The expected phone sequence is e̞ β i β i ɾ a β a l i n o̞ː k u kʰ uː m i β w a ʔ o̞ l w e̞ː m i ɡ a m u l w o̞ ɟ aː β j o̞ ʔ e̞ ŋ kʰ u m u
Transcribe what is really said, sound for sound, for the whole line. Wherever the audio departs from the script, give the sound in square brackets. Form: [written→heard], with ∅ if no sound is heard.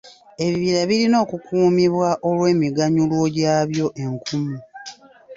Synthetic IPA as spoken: e̞ β i β i ɾ a β [a→i] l i n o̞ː k u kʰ uː m i β w a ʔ o̞ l w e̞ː m i ɡ a [m→ɲ] u l w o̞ ɟ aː β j o̞ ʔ e̞ ŋ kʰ u m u